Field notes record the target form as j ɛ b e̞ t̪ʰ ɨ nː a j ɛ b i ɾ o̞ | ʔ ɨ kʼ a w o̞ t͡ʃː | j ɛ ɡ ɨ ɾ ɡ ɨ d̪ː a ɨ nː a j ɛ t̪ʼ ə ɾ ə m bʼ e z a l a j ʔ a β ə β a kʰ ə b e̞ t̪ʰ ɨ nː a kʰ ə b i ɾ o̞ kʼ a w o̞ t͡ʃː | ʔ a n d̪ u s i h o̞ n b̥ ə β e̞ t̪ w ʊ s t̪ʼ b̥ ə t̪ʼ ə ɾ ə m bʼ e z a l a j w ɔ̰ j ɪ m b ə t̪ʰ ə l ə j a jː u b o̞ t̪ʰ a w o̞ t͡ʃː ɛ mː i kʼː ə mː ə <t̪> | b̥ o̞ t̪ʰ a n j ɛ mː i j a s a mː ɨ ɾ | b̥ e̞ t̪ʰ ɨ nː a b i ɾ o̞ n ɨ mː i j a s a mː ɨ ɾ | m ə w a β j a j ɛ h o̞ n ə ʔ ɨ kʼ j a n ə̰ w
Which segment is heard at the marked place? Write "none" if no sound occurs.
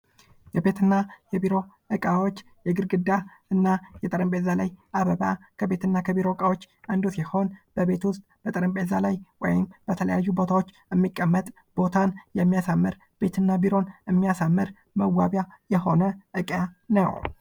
t̪ʼ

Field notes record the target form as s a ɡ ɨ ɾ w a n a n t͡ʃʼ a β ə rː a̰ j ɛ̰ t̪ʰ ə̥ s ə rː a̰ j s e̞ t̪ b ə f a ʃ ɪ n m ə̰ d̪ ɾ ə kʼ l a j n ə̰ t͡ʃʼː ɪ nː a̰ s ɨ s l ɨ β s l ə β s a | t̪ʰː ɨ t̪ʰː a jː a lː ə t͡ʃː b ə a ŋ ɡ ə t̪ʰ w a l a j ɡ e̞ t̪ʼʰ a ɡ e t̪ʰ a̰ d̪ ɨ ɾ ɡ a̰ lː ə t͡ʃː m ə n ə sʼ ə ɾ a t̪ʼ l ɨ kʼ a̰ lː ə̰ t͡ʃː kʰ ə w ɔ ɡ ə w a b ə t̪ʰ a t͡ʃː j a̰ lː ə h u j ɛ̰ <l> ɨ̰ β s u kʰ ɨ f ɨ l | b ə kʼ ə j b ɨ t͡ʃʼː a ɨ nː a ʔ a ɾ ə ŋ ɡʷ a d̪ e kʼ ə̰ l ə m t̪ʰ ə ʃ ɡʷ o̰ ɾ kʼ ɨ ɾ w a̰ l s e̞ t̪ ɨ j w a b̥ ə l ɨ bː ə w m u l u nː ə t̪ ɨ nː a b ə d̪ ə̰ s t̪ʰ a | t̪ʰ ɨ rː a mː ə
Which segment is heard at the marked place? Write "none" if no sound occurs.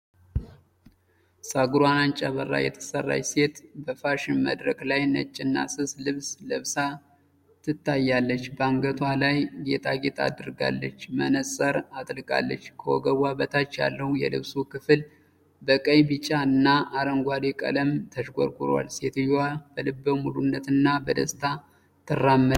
l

